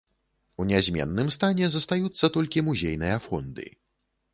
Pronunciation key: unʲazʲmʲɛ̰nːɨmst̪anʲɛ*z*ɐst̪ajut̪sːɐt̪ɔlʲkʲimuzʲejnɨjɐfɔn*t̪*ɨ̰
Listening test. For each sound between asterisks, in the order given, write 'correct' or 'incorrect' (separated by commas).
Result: correct, incorrect